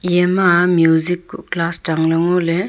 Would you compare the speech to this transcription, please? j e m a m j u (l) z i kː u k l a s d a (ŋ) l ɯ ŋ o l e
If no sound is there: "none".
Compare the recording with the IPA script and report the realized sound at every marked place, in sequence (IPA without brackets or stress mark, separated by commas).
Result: none, ŋ